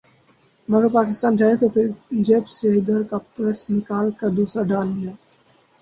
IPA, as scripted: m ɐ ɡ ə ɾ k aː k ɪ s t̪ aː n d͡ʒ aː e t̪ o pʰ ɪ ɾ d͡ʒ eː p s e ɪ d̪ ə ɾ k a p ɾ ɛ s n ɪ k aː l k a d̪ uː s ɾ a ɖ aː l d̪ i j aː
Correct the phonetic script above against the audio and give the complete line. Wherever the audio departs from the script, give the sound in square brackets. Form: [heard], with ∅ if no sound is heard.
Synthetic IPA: m ɐ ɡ ə ɾ [p] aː k ɪ s t̪ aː n d͡ʒ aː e t̪ o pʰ ɪ ɾ d͡ʒ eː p s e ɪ d̪ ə ɾ k a p ɾ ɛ s n ɪ k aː l k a d̪ uː s ɾ a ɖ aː l d̪ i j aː